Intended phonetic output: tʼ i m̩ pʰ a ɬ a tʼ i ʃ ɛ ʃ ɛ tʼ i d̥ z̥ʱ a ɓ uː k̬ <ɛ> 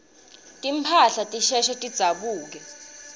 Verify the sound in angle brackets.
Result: correct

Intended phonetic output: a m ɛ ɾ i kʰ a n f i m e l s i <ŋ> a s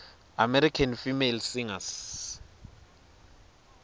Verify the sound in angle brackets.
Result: correct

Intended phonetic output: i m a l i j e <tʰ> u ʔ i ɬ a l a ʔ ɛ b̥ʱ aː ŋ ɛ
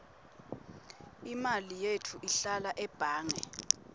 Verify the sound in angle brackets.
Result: correct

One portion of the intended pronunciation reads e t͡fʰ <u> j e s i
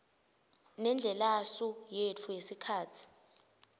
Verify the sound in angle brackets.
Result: correct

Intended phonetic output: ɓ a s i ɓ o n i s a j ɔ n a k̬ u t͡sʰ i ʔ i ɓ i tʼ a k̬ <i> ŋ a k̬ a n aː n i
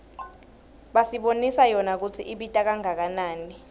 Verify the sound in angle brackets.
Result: incorrect: a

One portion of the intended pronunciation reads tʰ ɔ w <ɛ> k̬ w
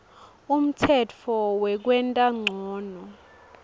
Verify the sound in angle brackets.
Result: correct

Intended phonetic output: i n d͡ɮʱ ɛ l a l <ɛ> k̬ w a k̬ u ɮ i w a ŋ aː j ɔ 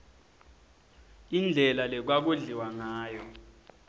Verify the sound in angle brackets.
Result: correct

